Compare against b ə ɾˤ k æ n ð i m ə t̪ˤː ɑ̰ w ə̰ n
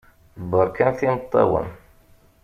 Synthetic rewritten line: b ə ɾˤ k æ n θ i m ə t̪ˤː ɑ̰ w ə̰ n